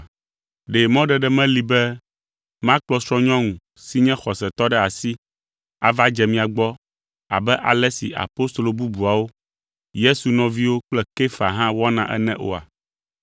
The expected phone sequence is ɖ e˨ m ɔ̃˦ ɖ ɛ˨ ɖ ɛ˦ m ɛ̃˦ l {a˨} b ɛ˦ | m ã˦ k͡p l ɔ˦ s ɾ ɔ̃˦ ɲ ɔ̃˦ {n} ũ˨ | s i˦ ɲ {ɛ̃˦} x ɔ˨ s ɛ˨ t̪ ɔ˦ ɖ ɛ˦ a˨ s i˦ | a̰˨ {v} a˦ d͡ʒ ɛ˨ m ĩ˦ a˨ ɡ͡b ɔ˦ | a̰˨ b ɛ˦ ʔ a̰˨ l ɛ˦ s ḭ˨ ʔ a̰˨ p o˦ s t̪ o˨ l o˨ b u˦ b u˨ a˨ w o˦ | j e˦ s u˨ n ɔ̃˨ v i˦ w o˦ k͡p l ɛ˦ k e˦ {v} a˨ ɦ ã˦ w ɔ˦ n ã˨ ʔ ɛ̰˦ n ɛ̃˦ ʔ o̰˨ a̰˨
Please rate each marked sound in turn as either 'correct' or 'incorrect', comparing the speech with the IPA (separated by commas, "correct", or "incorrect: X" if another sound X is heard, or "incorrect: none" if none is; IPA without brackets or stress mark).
incorrect: i˨, incorrect: ŋ, correct, correct, incorrect: f